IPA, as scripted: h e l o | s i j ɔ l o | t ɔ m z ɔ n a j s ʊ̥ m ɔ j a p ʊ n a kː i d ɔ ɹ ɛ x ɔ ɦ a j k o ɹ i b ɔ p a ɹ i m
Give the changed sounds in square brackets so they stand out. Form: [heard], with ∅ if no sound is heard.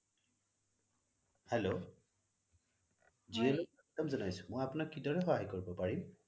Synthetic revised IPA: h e l o | [z] i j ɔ l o | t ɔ m z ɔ n a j s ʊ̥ m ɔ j a p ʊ n a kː i d ɔ ɹ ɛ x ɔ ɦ a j k o ɹ i b ɔ p a ɹ i m